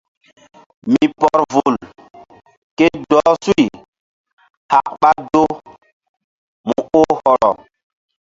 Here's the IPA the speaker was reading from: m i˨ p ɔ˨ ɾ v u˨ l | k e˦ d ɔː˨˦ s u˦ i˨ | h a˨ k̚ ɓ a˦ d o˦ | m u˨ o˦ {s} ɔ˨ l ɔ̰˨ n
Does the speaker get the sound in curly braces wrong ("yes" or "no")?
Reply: yes